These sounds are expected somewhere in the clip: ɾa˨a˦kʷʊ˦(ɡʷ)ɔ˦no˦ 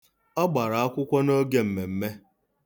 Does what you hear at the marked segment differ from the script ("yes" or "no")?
yes